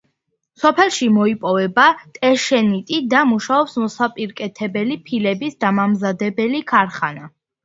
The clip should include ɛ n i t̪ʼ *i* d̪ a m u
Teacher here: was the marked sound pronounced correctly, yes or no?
yes